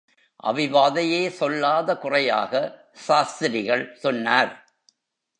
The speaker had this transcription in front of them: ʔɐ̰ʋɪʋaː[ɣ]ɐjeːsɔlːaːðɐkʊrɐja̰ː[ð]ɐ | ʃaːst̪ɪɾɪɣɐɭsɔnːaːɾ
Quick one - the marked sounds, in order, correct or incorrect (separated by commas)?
incorrect, incorrect